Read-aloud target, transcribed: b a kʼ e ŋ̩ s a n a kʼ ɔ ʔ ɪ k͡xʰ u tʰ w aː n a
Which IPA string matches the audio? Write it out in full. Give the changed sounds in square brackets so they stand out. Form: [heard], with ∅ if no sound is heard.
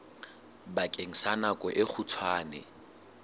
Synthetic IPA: b a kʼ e ŋ̩ s a n a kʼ ɔ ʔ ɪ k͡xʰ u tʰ w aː n [ɛ]